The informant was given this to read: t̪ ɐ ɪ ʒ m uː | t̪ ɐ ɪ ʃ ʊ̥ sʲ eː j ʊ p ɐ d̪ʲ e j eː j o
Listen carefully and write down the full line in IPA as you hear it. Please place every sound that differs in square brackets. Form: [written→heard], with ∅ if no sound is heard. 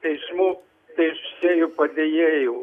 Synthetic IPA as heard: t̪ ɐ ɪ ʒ m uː | t̪ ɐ ɪ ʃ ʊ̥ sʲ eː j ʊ p ɐ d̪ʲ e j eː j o

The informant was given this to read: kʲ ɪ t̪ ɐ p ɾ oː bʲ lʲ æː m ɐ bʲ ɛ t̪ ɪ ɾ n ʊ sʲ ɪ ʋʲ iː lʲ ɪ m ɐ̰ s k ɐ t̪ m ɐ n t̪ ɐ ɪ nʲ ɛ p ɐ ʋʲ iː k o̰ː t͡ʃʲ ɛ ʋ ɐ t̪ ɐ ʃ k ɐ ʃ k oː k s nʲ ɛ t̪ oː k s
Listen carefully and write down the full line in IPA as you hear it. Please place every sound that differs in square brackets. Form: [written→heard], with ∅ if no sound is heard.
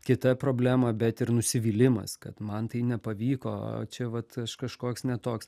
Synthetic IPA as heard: kʲ ɪ t̪ ɐ p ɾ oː bʲ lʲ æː m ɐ bʲ ɛ t̪ ɪ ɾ n ʊ sʲ ɪ ʋʲ iː lʲ ɪ m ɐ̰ s k ɐ t̪ m ɐ n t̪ ɐ ɪ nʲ ɛ p ɐ ʋʲ iː k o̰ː t͡ʃʲ ɛ ʋ ɐ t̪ ɐ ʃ k ɐ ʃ k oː k s nʲ ɛ t̪ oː k s

